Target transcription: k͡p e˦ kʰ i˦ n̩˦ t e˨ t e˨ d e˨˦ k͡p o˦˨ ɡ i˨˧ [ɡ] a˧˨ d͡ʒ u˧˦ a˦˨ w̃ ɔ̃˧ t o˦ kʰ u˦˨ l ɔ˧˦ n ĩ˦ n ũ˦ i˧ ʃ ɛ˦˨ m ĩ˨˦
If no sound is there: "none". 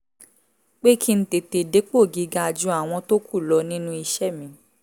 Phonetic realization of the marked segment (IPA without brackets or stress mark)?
ɡ